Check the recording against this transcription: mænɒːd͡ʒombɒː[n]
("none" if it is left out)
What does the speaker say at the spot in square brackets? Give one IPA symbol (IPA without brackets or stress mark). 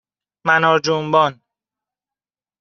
n